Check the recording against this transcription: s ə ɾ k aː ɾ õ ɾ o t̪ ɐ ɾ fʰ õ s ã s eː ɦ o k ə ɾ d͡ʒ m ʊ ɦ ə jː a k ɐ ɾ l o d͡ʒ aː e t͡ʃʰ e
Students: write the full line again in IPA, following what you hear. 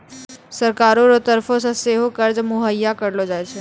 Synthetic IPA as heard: s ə ɾ k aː ɾ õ ɾ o t̪ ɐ ɾ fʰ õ s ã s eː ɦ o k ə ɾ d͡ʒ m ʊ ɦ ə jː a k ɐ ɾ l o d͡ʒ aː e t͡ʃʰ e